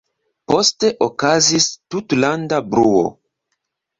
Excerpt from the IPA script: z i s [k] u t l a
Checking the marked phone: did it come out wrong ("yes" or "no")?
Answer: yes